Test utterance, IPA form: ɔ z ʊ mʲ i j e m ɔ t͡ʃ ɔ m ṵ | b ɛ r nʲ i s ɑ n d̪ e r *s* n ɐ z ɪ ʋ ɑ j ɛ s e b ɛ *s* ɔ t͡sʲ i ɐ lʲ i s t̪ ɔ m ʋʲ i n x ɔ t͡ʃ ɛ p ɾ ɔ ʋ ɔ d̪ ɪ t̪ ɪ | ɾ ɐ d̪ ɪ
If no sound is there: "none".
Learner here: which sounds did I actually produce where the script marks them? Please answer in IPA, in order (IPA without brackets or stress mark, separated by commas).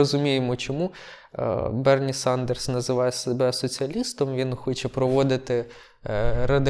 s, s